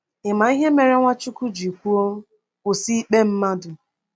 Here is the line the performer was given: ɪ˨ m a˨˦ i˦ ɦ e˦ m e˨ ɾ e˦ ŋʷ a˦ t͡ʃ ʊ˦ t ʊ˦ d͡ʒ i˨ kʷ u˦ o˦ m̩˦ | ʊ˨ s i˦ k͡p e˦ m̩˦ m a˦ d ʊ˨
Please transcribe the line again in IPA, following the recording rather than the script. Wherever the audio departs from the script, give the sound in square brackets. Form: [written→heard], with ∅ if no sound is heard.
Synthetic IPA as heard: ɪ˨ m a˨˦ i˦ ɦ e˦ m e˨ ɾ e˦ ŋʷ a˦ t͡ʃ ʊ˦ [t→k] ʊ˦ d͡ʒ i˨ kʷ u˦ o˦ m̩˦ | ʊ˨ s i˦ k͡p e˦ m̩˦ m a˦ d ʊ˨